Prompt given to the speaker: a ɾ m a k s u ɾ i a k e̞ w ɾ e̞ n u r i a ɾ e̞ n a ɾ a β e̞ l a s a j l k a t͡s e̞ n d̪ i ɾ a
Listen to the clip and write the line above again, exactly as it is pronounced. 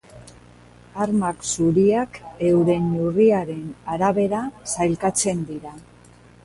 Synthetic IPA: a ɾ m a k s u ɾ i a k e̞ w ɾ e̞ n u r i a ɾ e̞ n a ɾ a β e̞ ɾ a s a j l k a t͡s e̞ n d̪ i ɾ a